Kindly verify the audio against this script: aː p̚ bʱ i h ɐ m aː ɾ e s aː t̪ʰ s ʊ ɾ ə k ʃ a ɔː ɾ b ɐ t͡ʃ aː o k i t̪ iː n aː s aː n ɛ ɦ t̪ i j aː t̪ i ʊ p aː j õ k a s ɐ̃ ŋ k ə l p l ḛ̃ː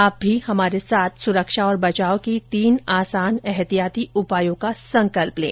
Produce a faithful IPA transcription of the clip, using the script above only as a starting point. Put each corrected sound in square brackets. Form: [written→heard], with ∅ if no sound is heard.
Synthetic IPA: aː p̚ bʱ i h ɐ m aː ɾ e s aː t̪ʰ s ʊ ɾ ə k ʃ a ɔː ɾ b ɐ t͡ʃ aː o k i t̪ iː n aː s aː n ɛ ɦ t̪ i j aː t̪ i ʊ p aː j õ k a s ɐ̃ ŋ k ə l p l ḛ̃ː